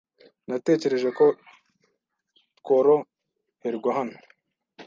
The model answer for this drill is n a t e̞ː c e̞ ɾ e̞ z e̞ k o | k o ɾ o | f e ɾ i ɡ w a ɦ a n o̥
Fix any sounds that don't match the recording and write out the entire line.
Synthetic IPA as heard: n a t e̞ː c e̞ ɾ e̞ ʒ e̞ k o | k o ɾ o | h e ɾ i ɡ w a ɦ a n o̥